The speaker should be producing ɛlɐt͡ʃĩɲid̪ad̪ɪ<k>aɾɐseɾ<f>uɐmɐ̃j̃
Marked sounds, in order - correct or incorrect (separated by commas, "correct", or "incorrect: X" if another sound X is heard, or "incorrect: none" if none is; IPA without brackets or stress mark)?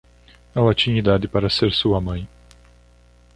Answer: incorrect: p, incorrect: s